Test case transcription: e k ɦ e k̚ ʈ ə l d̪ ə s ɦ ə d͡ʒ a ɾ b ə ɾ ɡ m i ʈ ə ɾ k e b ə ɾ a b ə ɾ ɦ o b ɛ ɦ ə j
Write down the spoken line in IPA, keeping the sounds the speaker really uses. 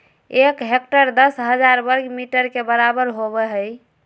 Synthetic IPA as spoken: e k ɦ e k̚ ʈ ə ɾ d̪ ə s ɦ ə d͡ʒ a ɾ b ə ɾ ɡ m i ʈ ə ɾ k e b ə ɾ a b ə ɾ ɦ o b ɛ ɦ ə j

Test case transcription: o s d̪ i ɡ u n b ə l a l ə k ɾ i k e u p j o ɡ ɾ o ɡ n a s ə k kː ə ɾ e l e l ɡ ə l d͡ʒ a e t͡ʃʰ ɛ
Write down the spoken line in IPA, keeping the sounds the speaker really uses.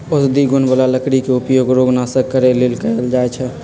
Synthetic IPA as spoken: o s d̪ i ɡ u n b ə l a l ə k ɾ i k e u p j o ɡ ɾ o ɡ n a s ə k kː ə ɾ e l e l k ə l d͡ʒ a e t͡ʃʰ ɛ

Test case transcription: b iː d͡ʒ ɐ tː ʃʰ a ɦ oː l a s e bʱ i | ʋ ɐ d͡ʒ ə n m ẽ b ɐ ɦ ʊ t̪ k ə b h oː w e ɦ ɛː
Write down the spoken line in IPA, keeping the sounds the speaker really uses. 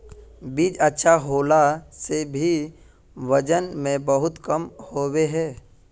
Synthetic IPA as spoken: b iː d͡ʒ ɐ tː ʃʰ a ɦ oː l a s e bʱ i | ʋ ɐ d͡ʒ ə n m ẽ b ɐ ɦ ʊ t̪ k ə m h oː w e ɦ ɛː

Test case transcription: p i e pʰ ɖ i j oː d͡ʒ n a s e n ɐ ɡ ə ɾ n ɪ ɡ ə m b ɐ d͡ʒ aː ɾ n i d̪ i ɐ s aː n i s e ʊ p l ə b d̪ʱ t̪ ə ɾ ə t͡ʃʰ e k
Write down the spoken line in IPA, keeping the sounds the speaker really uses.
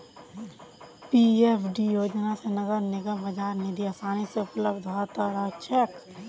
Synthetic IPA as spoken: p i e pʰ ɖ i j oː d͡ʒ n a s e n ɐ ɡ ə ɾ n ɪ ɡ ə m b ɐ d͡ʒ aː ɾ n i d̪ i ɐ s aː n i s e ʊ p l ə b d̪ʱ t̪ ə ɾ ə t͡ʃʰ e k

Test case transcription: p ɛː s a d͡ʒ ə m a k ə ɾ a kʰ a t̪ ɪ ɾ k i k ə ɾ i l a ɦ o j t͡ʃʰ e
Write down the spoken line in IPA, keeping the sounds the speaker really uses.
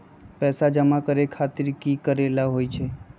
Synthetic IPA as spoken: p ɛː s a d͡ʒ ə m a k ə ɾ e kʰ a t̪ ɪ ɾ k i k ə ɾ e l a ɦ o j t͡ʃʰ e

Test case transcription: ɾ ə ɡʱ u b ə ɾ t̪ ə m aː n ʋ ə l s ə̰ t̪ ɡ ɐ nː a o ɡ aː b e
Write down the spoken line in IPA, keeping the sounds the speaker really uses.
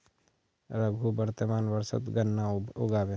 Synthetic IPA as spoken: ɾ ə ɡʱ u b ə ɾ t̪ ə m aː n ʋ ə ɾ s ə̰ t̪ ɡ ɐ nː a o ɡ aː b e

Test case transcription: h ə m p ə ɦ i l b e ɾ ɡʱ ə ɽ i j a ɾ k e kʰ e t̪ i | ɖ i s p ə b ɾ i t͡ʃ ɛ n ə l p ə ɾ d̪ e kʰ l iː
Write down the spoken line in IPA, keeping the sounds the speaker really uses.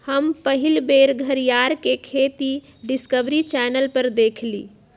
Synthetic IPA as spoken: h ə m p ə ɦ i l b e ɾ ɡʱ ə ɾ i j a ɾ k e kʰ e t̪ i | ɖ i s k ə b ɾ i t͡ʃ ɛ n ə l p ə ɾ d̪ e kʰ l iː

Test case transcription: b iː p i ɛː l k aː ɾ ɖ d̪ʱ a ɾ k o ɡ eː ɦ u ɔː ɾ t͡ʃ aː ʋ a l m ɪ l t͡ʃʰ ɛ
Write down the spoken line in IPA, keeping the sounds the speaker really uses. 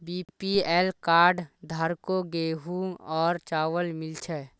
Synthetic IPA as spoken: b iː p i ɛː l k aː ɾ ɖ d̪ʱ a ɾ k o ɡ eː ɦ u ɔː ɾ t͡ʃ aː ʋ ə l m ɪ l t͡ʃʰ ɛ

